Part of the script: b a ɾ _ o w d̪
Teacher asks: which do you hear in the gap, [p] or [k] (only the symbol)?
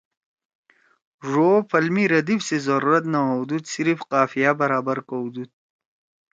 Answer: k